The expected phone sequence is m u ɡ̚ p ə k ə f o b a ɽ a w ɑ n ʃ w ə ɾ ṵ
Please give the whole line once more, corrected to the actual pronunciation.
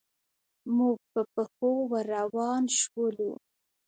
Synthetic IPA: m u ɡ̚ p ə p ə x o w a ɾ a w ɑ n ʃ w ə l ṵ